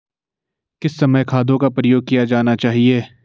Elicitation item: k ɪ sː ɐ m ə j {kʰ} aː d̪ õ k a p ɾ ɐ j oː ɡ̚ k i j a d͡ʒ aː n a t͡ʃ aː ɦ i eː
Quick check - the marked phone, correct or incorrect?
correct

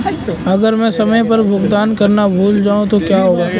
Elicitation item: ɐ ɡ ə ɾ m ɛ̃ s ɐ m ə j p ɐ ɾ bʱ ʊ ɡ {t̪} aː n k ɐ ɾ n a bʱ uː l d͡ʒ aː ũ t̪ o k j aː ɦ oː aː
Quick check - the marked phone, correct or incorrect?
incorrect: d̪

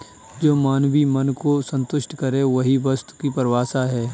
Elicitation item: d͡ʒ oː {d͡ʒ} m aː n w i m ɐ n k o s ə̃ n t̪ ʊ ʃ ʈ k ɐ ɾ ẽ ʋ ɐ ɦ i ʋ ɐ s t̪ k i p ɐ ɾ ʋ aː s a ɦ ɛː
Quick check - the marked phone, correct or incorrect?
incorrect: none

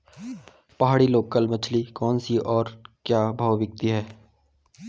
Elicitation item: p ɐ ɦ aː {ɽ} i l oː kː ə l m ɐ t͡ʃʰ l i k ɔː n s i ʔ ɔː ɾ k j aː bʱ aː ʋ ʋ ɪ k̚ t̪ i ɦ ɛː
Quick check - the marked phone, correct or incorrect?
correct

